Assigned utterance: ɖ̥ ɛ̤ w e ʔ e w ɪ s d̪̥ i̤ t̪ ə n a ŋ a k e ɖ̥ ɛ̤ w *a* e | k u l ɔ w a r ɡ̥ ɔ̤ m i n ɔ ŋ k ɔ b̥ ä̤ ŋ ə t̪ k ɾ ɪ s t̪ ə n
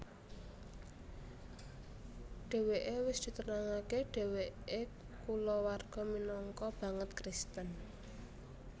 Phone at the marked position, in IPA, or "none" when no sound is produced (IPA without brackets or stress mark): e